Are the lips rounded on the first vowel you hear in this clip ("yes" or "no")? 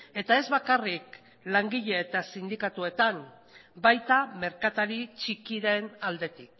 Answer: no